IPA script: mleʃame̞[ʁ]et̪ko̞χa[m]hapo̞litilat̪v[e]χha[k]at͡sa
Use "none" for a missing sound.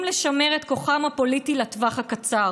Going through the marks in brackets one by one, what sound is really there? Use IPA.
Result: ʁ, m, a, k

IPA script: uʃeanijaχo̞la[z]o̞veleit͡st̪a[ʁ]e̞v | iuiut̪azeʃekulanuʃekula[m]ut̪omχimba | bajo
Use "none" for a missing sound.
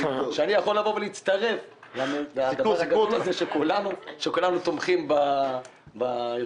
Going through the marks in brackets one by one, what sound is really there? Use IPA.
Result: v, ʁ, n

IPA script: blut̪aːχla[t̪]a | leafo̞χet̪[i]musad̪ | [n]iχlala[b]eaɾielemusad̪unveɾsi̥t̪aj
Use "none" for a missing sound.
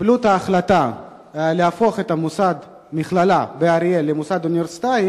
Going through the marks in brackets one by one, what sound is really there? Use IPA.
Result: t̪, a, m, b

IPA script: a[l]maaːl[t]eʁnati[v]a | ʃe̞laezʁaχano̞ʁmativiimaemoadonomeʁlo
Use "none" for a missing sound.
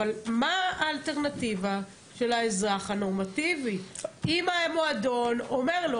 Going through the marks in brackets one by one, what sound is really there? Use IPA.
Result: l, t, v

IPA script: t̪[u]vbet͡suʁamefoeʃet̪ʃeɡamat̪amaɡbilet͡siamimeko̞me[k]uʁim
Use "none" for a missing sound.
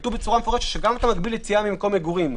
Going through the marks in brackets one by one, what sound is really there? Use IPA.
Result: u, ɡ

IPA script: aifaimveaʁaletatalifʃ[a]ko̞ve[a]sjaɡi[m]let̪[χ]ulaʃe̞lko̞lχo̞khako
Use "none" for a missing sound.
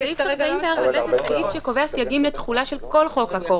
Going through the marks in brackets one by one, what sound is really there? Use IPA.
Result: e, a, m, χ

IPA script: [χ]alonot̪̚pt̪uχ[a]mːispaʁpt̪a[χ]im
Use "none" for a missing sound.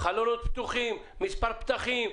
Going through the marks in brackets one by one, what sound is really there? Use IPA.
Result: χ, i, χ

